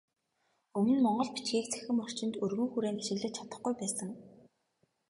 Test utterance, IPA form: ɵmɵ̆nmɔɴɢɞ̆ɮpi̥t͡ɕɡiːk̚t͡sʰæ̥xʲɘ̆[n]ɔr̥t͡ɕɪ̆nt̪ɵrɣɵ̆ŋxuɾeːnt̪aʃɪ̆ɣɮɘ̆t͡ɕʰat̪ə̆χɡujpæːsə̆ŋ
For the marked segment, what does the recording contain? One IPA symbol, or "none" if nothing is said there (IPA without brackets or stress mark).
m